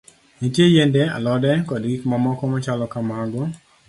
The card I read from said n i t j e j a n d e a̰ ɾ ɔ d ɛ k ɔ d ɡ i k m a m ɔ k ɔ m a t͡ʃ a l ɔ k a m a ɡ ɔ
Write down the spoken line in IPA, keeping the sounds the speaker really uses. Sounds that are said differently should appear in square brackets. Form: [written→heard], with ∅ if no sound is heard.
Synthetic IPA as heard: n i t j e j [a→e] n d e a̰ [ɾ→l] ɔ d ɛ k ɔ d ɡ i k m a m ɔ k ɔ m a t͡ʃ a l ɔ k a m a ɡ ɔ